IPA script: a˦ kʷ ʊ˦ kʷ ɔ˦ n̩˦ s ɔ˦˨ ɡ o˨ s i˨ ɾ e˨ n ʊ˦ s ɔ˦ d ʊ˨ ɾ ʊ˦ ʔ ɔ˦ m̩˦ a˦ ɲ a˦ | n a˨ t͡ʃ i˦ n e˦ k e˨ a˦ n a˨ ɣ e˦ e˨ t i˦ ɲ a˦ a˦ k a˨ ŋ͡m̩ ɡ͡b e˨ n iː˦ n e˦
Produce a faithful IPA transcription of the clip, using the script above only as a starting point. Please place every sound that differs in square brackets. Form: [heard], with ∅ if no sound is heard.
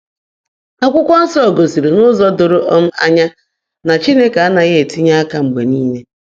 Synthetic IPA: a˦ kʷ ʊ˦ kʷ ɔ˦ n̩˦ s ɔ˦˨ ɡ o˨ s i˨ ɾ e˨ n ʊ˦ [z] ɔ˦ d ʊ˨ ɾ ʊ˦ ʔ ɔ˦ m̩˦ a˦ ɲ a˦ | n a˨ t͡ʃ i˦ n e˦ k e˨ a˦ n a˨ ɣ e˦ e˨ t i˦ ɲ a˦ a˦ k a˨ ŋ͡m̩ ɡ͡b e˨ n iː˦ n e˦